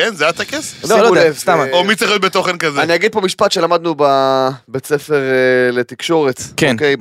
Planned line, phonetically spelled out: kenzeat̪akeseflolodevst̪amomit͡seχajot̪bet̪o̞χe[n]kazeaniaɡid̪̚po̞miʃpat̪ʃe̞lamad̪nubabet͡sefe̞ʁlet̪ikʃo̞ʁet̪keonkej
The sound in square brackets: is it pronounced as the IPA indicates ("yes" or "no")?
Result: yes